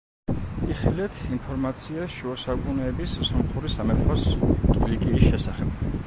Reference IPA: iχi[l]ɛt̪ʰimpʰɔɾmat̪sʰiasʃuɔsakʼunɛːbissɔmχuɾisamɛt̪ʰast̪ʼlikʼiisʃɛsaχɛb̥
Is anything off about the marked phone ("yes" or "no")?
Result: no